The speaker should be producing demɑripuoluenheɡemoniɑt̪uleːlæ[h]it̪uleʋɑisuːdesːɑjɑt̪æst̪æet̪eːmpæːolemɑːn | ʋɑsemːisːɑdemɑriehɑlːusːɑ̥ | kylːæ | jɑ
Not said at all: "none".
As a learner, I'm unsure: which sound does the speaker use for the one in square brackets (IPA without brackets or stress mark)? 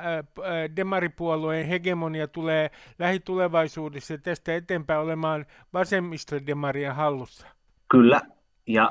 h